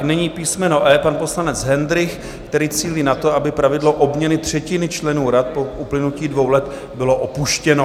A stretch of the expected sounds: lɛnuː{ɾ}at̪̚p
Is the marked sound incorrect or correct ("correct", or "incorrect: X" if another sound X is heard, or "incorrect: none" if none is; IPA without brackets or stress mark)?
correct